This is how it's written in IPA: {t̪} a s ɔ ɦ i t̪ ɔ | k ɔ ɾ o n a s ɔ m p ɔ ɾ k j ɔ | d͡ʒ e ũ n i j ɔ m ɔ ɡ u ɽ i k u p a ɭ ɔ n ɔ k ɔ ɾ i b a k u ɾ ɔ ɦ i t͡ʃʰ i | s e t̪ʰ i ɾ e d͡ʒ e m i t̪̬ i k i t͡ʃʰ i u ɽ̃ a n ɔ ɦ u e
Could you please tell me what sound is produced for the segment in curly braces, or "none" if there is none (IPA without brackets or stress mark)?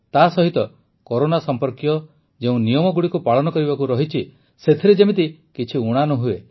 t̪